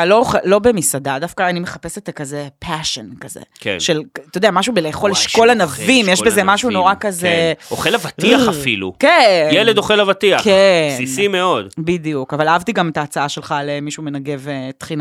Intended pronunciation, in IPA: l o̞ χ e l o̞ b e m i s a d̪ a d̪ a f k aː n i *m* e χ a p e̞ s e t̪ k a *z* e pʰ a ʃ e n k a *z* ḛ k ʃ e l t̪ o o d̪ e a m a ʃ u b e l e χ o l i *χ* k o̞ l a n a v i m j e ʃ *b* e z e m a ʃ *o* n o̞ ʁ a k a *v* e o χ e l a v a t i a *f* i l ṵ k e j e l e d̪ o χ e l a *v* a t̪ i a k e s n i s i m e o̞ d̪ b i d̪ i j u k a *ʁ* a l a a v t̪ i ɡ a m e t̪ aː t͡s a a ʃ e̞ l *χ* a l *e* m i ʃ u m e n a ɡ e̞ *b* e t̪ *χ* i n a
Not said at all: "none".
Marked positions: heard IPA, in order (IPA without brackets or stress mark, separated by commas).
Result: m, z, z, ʃ, b, u, z, f, v, v, χ, e, v, χ